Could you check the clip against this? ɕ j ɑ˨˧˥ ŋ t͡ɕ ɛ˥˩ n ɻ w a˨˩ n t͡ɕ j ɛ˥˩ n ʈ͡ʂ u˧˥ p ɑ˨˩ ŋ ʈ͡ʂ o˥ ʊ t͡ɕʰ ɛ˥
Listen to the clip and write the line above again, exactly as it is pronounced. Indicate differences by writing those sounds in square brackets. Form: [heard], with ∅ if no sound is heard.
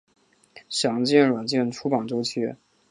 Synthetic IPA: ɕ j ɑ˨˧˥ ŋ t͡ɕ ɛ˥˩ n ɻ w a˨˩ n t͡ɕ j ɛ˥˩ n [ʈ͡ʂʰ] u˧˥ p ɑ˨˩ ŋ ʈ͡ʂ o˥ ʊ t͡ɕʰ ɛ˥